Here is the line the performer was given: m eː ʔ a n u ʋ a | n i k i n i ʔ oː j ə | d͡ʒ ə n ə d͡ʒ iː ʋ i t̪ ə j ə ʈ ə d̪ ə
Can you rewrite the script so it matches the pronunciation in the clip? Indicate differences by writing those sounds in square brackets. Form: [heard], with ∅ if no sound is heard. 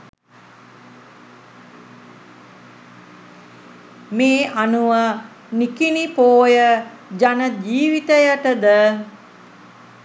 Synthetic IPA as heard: m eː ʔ a n u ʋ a | n i k i n i [p] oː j ə | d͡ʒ [a] n ə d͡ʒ iː ʋ i t̪ ə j ə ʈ ə d̪ ə